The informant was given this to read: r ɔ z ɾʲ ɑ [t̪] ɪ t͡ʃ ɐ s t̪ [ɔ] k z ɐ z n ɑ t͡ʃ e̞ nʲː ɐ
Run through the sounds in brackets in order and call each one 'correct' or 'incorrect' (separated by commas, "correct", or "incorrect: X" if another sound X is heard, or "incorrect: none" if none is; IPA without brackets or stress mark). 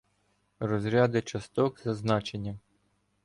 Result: incorrect: d̪, correct